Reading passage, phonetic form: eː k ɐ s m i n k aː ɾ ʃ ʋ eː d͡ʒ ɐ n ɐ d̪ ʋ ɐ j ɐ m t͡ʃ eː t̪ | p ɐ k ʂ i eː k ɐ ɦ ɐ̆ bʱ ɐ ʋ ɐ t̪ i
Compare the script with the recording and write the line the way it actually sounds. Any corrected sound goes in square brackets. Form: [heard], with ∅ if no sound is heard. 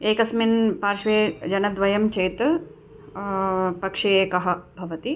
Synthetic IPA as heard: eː k ɐ s m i n [p] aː ɾ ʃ ʋ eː d͡ʒ ɐ n ɐ d̪ ʋ ɐ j ɐ m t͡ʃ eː t̪ | p ɐ k ʂ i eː k ɐ ɦ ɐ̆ bʱ ɐ ʋ ɐ t̪ i